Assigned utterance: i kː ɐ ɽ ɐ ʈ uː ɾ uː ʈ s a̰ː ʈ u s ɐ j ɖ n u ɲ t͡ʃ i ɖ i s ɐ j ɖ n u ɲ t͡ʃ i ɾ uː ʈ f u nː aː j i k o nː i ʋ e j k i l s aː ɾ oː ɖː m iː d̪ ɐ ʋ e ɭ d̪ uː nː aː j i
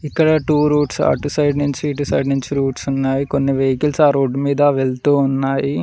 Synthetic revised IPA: i kː ɐ ɽ ɐ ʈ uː ɾ uː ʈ s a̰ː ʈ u s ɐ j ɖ n u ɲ t͡ʃ i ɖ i s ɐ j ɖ n u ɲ t͡ʃ i ɾ uː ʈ s u nː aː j i k o nː i ʋ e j k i l s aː ɾ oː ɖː m iː d̪ ɐ ʋ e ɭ t̪ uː nː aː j i